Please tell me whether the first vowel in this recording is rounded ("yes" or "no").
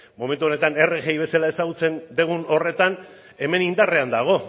yes